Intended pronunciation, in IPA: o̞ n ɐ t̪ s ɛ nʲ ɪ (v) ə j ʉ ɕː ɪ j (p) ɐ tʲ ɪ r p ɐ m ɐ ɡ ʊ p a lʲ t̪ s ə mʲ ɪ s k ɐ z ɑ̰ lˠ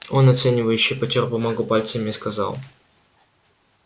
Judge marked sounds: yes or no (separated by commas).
yes, yes